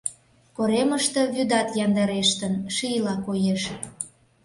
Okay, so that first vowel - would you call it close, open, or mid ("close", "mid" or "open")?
mid